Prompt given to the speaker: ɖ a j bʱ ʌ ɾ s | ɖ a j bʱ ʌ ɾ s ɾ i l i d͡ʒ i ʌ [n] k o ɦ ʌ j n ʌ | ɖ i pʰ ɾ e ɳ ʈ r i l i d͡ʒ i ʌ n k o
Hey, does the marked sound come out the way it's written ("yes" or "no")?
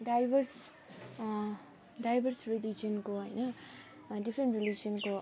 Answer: yes